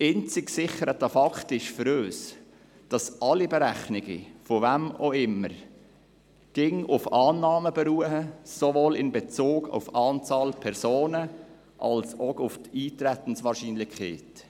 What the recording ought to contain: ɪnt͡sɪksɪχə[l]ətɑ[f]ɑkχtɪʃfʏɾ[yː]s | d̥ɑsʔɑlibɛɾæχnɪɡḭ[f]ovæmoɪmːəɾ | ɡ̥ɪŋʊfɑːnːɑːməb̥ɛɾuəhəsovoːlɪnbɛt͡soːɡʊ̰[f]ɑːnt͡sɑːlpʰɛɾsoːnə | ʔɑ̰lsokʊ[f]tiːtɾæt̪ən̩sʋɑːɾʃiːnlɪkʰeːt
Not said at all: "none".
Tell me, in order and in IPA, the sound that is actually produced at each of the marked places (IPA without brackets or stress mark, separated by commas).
ɾ, f, øː, f, f, f